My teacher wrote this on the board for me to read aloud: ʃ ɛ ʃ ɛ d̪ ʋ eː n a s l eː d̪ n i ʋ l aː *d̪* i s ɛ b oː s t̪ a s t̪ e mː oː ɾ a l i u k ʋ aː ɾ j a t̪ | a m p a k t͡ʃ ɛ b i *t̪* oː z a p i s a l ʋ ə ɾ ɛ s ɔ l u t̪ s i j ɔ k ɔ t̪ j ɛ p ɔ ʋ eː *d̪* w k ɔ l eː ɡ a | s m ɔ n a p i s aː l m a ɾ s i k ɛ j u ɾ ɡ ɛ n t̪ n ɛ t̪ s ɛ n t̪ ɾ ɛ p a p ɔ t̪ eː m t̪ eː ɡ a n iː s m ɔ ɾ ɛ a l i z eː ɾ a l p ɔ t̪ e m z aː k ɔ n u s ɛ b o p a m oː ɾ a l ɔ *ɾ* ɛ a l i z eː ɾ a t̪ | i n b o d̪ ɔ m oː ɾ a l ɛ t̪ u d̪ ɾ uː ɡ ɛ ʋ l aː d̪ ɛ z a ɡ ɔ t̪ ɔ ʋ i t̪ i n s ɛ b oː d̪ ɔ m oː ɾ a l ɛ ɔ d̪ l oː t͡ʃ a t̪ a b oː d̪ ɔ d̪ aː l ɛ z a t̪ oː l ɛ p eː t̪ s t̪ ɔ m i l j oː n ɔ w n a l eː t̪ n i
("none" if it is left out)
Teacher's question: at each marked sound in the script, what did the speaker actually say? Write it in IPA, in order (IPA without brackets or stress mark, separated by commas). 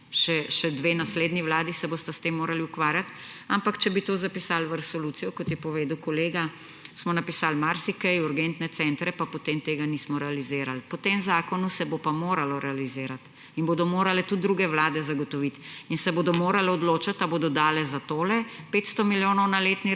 d̪, t̪, d̪, ɾ